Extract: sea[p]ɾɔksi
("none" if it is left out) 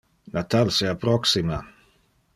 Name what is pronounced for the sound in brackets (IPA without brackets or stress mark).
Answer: p